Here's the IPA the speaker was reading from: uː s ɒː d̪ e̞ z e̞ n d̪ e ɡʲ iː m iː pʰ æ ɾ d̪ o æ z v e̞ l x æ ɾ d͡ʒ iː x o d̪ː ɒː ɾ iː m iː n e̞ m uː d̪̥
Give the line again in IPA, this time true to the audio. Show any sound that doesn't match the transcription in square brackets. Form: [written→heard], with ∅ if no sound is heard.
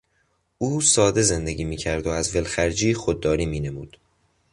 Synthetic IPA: uː s ɒː d̪ e̞ z e̞ n d̪ e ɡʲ iː m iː [pʰ→cʰ] æ ɾ d̪ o æ z v e̞ l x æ ɾ d͡ʒ iː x o d̪ː ɒː ɾ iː m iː n e̞ m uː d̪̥